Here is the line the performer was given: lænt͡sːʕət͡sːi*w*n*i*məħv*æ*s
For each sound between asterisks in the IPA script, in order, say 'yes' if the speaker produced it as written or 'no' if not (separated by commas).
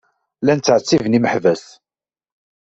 no, yes, yes